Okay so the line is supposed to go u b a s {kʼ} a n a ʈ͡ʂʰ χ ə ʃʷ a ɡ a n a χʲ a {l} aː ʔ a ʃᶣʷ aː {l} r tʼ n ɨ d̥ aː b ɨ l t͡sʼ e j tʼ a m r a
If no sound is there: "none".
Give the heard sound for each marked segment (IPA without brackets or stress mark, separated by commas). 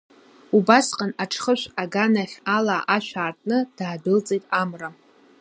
qʼ, l, none